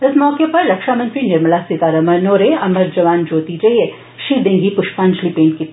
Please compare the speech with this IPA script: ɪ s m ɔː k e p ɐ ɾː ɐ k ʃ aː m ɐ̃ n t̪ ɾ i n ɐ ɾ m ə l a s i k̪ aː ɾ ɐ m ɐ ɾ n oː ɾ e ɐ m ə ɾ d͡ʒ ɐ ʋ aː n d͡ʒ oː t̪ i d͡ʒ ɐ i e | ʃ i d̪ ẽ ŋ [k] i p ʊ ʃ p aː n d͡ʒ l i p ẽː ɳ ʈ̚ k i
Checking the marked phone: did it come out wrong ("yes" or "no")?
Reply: yes